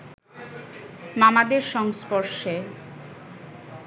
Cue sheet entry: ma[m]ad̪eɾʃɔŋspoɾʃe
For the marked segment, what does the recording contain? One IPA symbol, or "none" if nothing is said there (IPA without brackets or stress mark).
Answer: m